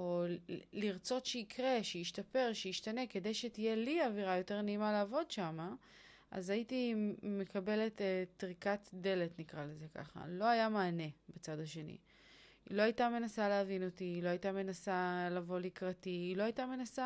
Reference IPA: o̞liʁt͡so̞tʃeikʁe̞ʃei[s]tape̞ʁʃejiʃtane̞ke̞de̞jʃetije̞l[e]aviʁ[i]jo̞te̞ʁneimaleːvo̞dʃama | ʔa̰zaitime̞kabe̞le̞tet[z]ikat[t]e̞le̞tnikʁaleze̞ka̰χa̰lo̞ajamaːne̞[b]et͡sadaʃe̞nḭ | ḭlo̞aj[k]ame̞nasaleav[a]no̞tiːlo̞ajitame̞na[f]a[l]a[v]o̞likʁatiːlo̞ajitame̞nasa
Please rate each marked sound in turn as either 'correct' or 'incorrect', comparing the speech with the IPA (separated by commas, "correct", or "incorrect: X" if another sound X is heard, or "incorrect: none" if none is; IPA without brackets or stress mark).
incorrect: ʃ, incorrect: i, incorrect: a, incorrect: ʁ, incorrect: d, correct, incorrect: t, incorrect: i, incorrect: s, correct, correct